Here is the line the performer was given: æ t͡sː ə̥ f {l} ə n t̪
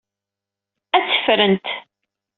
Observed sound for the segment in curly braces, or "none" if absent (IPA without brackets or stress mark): ɾ